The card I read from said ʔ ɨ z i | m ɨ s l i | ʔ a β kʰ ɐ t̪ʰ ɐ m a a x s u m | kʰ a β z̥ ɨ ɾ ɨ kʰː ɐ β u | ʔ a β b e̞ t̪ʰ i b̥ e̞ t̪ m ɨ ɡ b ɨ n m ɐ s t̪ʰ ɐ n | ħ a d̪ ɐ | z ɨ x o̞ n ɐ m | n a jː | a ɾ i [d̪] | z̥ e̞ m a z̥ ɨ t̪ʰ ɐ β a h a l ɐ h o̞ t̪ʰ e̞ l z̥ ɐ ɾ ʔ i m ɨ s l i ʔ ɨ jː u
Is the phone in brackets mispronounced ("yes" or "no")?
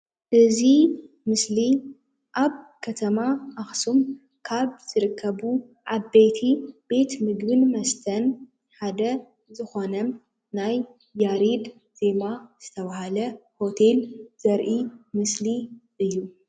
no